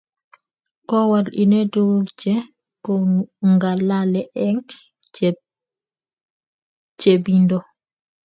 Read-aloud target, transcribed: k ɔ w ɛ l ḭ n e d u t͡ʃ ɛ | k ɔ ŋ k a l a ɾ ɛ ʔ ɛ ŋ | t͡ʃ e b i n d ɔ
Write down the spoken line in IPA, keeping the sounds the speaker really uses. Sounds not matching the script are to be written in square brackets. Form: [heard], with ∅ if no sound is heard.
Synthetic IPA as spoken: k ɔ w [a] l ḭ n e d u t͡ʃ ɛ | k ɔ ŋ [ɡ] a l a [l] ɛ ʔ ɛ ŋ | t͡ʃ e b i n d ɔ